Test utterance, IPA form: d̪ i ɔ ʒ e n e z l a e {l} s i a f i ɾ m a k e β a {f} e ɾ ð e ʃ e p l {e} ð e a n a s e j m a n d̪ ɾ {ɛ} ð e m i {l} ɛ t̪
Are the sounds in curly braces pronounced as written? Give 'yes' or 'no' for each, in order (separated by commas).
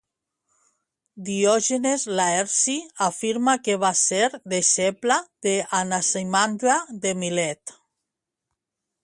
no, no, no, no, yes